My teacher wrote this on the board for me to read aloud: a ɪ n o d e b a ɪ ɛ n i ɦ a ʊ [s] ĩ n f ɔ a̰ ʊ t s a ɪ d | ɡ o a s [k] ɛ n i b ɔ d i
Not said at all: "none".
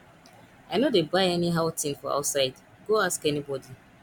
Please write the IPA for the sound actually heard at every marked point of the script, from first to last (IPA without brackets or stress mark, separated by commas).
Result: t, k